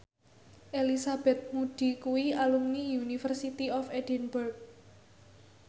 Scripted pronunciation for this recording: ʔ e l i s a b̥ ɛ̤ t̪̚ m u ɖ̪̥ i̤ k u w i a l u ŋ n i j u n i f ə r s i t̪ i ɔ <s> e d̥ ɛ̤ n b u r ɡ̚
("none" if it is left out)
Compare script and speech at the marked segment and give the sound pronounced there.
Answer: f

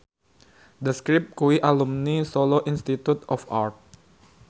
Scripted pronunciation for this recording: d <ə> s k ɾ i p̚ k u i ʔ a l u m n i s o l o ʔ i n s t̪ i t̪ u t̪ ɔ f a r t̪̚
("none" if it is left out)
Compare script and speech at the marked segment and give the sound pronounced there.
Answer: ə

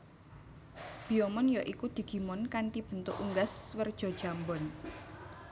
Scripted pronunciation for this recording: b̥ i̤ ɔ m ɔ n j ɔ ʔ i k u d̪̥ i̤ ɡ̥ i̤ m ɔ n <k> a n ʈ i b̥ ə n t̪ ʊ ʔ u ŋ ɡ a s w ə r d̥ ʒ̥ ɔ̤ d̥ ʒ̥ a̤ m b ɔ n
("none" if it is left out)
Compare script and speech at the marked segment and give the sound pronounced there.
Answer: k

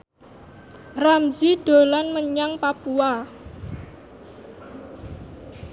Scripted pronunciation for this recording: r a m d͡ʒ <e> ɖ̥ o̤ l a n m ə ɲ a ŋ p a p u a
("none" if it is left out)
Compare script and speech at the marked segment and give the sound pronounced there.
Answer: i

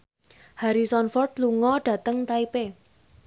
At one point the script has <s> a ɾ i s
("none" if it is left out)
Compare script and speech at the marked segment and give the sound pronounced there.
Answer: h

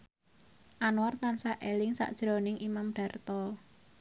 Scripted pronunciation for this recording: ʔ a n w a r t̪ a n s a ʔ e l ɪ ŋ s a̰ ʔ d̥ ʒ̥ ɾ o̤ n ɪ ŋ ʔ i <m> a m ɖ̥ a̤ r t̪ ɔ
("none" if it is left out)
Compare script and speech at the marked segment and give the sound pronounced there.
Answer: m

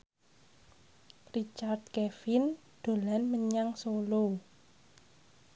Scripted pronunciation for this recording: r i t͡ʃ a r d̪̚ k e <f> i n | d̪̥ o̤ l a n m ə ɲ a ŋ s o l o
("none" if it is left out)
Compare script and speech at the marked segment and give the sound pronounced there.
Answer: f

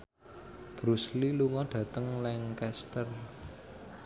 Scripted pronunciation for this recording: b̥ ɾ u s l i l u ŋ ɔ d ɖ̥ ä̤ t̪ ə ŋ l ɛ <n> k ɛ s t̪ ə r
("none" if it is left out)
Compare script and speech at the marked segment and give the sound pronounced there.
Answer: ŋ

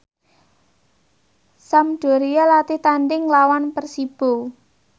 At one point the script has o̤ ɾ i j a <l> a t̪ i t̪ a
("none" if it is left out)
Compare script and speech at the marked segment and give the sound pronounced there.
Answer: l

